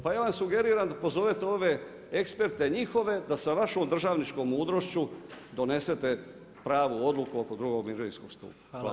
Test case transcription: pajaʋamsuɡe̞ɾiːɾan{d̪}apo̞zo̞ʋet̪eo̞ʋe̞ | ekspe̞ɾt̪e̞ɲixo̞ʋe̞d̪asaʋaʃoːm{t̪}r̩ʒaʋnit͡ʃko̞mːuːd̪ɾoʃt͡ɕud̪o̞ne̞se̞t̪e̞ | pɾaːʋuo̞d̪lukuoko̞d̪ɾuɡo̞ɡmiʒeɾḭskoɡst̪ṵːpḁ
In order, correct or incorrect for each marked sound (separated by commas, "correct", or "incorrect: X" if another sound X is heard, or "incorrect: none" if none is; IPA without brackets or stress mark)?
correct, incorrect: d̪